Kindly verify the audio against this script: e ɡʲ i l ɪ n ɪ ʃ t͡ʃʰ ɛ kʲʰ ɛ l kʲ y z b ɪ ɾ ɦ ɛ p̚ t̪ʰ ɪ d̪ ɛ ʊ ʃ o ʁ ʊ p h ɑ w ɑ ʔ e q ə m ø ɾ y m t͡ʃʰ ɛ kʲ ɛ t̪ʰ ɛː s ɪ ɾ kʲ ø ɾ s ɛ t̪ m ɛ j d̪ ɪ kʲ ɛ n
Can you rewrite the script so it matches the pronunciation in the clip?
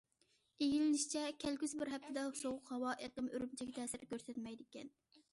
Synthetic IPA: e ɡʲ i l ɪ n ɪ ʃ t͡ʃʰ ɛ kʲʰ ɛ l kʲ y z b ɪ ɾ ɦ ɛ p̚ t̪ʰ ɪ d̪ ɛ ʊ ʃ o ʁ ʊ q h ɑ w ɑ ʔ e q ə m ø ɾ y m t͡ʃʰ ɛ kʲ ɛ t̪ʰ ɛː s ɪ ɾ kʲ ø ɾ s ɛ t̪ m ɛ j d̪ ɪ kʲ ɛ n